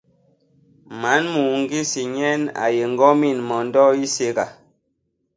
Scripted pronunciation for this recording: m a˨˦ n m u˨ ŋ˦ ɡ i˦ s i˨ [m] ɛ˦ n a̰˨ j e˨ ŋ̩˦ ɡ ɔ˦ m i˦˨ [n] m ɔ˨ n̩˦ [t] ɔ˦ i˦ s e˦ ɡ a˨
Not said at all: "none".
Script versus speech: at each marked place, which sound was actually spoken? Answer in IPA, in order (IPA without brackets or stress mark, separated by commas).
ɲ, n, d